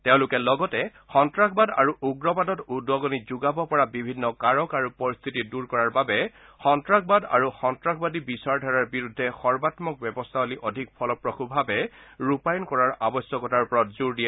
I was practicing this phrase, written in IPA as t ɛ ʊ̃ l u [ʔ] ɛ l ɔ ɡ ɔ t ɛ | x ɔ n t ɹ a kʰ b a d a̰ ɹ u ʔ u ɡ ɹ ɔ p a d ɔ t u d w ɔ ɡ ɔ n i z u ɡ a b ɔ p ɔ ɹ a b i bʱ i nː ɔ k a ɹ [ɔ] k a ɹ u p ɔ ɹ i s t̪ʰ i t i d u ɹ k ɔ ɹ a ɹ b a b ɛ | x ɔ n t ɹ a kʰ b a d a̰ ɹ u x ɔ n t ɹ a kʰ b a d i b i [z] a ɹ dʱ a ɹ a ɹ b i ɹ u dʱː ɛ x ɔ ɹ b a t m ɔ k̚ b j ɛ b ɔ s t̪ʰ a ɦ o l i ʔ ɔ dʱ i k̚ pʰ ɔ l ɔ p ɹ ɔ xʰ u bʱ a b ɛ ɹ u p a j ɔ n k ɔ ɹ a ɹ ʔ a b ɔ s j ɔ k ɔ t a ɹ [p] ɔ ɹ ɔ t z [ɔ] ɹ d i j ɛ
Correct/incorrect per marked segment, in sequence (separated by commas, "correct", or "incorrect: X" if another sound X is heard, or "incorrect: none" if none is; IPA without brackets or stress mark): incorrect: k, correct, incorrect: s, correct, incorrect: u